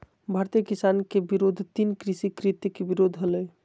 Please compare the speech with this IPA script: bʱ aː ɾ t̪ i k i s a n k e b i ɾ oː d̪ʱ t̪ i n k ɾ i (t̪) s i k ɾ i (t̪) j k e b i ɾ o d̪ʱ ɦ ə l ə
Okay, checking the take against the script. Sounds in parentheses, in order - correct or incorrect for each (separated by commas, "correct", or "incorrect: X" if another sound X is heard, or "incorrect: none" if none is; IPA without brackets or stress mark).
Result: incorrect: none, correct